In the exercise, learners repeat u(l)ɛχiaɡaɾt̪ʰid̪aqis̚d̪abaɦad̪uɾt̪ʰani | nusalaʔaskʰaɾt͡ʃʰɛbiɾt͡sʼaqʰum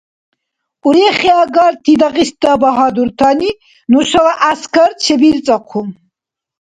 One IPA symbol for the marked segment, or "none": ɾ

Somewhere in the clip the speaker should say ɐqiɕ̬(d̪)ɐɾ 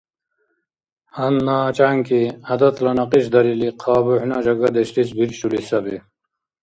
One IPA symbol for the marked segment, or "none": d̪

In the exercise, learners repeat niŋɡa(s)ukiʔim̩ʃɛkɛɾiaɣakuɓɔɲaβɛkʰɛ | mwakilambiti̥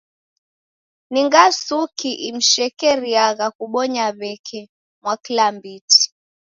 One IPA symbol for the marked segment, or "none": s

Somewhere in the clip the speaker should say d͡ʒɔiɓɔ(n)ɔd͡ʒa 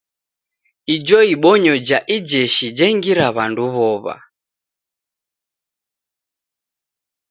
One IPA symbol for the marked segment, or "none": ɲ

